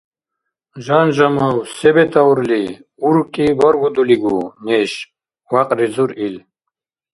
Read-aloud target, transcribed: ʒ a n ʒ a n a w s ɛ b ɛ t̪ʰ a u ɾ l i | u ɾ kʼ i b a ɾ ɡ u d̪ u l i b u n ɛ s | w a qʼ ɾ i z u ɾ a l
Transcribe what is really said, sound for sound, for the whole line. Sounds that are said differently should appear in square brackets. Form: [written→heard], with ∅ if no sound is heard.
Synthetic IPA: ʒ a n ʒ a [n→m] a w s ɛ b ɛ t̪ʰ a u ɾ l i | u ɾ kʼ i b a ɾ ɡ u d̪ u l i [b→ɡ] u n ɛ [s→ʃ] | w a qʼ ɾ i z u ɾ [a→i] l